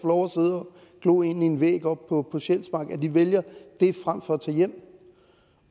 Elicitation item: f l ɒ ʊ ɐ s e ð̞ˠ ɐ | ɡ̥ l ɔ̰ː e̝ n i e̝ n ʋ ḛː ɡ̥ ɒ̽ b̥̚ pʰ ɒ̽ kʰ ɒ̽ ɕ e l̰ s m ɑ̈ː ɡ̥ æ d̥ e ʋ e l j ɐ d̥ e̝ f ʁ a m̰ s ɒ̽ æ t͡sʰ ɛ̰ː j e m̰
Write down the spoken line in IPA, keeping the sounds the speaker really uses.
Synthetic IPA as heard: f l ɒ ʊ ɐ s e ð̞ˠ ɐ | ɡ̥ l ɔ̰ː e̝ n i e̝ n ʋ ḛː ɡ̥ ɒ̽ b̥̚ pʰ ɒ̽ pʰ ɒ̽ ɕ e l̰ s m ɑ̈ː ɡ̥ æ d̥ i ʋ e l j ɐ d̥ e̝ f ʁ a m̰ f ɒ̽ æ t͡sʰ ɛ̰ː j e m̰